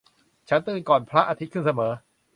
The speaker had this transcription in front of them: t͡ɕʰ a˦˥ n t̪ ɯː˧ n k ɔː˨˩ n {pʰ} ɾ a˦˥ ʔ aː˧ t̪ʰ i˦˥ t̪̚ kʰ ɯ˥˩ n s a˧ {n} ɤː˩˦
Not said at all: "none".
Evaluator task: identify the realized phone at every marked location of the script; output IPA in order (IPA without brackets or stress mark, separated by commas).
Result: pʰ, m